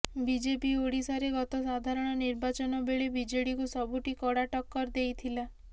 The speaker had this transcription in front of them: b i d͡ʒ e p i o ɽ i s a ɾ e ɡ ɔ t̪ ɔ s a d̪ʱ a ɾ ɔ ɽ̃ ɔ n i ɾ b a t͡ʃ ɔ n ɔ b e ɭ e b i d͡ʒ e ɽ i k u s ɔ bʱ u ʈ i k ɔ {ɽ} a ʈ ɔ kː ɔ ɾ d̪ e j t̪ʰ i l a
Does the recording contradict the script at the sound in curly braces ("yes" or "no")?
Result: no